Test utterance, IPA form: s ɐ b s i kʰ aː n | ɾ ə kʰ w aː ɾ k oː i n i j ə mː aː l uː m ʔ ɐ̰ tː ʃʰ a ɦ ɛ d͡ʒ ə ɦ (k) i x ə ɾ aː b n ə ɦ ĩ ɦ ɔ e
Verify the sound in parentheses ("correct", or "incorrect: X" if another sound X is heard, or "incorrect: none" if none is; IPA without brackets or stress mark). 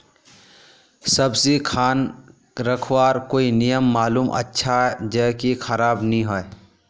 correct